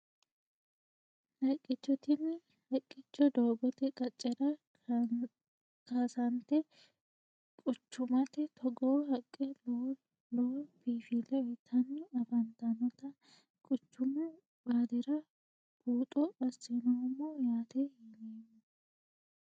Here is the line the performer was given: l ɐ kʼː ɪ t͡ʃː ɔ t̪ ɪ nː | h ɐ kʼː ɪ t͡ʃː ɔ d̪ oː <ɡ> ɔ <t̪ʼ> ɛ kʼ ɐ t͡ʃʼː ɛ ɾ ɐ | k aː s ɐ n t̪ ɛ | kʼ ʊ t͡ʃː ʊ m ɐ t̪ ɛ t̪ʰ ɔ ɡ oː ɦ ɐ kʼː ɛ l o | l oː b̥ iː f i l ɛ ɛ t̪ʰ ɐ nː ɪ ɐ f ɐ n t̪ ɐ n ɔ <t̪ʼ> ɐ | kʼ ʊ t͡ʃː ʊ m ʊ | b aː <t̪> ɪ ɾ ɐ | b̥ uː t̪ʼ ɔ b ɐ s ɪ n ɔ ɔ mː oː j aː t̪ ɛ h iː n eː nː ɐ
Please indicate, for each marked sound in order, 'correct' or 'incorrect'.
incorrect: b, incorrect: t̪, incorrect: t̪, incorrect: d̪

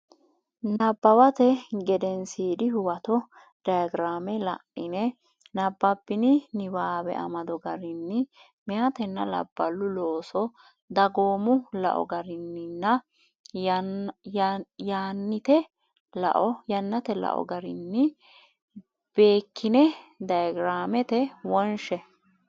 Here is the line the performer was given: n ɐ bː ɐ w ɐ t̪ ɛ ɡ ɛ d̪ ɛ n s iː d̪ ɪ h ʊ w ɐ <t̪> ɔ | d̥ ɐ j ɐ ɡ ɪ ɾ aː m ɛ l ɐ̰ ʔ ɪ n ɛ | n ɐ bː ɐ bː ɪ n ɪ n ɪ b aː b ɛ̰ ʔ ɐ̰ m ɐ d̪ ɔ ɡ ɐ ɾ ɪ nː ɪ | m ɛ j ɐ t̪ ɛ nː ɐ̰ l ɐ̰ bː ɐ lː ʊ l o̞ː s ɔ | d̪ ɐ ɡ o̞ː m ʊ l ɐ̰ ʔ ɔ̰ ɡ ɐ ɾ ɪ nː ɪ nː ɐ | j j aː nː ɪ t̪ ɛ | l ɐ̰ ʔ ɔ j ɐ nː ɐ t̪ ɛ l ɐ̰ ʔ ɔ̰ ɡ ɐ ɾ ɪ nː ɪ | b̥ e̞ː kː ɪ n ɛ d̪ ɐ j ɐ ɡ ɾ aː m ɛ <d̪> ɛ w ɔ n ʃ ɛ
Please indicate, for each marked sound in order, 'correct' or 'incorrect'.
correct, incorrect: t̪

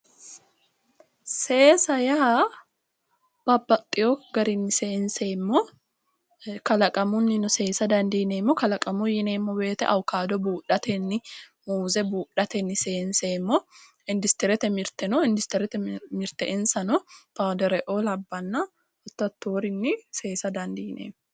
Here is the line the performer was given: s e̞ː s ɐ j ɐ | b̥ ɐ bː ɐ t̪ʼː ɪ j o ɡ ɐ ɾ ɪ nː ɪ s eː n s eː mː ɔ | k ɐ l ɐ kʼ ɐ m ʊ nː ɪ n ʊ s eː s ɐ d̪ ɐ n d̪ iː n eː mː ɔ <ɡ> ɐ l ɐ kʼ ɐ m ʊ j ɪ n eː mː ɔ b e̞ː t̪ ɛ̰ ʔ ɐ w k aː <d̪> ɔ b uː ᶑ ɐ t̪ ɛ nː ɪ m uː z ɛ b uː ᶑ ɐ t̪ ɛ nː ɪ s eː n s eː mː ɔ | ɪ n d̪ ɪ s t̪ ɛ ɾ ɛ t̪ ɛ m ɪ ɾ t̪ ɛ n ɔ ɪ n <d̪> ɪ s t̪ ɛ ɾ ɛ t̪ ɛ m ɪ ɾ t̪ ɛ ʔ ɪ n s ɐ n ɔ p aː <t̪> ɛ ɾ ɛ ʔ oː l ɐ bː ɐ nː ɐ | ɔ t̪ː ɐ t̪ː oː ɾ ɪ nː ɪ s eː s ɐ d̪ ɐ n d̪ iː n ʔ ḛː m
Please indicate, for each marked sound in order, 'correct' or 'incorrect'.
incorrect: k, correct, correct, incorrect: d̪

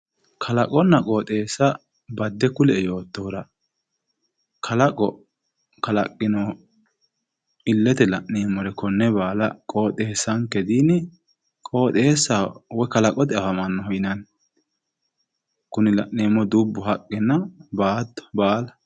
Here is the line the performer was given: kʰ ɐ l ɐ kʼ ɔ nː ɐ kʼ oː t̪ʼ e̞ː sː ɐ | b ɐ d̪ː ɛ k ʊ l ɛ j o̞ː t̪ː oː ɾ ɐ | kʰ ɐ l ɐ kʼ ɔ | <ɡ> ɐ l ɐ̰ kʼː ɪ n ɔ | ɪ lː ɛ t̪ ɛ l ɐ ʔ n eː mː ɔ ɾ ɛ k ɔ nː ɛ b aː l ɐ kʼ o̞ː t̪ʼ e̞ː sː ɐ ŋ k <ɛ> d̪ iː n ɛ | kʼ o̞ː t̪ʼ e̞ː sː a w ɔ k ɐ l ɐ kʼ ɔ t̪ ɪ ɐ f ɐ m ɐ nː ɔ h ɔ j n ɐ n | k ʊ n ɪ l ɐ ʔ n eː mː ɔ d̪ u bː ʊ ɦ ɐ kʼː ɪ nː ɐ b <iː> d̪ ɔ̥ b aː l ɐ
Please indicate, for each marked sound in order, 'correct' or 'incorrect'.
incorrect: k, correct, incorrect: aː

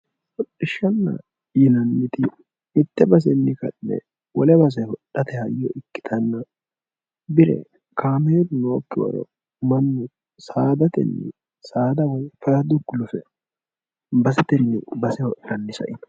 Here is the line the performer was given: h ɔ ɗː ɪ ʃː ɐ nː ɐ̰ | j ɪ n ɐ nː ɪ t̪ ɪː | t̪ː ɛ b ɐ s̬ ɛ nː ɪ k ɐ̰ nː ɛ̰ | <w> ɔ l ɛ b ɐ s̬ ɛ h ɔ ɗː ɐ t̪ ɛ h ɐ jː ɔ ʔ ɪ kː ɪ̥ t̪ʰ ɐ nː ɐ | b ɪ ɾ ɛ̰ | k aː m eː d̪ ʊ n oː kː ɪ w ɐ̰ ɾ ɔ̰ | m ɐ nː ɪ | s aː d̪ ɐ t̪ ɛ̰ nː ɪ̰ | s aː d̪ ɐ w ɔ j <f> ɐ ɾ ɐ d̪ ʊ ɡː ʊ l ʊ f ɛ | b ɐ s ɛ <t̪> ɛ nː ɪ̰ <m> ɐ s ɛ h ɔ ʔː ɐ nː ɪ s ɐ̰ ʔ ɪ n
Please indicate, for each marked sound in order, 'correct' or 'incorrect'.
correct, correct, correct, incorrect: b

